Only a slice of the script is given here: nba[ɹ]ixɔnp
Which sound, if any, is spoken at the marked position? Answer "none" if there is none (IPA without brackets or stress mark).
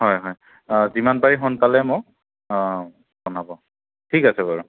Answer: ɹ